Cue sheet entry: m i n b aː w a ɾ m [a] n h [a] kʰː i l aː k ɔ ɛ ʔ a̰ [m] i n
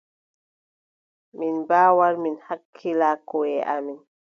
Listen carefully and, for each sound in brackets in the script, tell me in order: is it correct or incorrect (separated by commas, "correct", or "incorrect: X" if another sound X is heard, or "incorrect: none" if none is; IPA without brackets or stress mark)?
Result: incorrect: i, correct, correct